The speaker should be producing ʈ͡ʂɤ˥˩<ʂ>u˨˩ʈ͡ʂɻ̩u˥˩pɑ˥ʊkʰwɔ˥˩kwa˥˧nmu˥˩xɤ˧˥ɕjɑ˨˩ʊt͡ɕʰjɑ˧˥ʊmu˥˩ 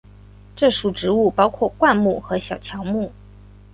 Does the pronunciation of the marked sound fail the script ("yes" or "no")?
no